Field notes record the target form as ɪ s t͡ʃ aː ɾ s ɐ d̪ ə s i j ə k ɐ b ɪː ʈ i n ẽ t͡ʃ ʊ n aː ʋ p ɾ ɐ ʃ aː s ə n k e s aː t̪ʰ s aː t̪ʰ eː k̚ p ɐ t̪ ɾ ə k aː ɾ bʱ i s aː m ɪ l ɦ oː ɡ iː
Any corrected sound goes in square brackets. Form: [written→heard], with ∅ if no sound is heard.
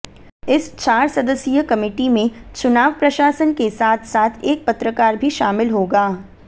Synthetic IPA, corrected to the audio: ɪ s t͡ʃ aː ɾ s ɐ d̪ ə s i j ə k ɐ [b→m] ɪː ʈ i [n→m] ẽ t͡ʃ ʊ n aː ʋ p ɾ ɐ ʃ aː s ə n k e s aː t̪ʰ s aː t̪ʰ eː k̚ p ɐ t̪ ɾ ə k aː ɾ bʱ i [s→ʃ] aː m ɪ l ɦ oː ɡ [iː→aː]